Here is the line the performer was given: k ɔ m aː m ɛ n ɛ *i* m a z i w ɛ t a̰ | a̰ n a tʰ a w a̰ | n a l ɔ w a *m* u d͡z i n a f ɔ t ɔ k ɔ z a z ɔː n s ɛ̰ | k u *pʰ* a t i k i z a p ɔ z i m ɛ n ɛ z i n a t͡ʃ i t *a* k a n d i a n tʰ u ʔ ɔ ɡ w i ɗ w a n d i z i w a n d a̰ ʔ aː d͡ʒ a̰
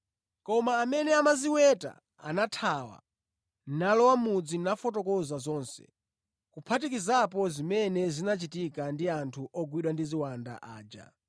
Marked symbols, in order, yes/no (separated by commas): no, yes, yes, no